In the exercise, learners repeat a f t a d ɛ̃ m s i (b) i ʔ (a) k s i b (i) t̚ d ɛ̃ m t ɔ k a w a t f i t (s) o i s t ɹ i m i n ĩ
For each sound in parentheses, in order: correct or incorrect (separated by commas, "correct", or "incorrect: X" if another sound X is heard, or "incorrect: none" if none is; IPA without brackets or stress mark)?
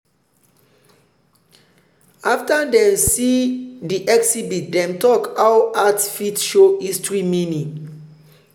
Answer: incorrect: d, incorrect: ɛ, correct, incorrect: ʃ